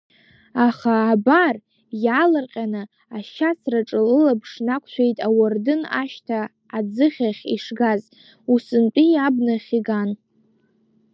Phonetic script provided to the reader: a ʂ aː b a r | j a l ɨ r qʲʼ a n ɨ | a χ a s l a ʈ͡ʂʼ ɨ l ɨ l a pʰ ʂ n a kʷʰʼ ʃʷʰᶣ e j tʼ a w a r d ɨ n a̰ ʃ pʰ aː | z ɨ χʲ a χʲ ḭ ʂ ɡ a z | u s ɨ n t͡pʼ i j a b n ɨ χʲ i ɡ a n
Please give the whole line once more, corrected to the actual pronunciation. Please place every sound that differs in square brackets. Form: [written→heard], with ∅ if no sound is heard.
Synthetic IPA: a [ʂ→χ] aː b a r | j a l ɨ r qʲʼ a n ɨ | a [χ→ʃ] a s [l→r] a ʈ͡ʂʼ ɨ l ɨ l a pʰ ʂ n a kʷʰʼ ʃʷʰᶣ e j tʼ a w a r d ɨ n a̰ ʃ [pʰ→tʰ] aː | [z→d͡z] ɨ χʲ a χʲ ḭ ʂ ɡ a z | u s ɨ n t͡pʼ i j a b n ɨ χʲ i ɡ a n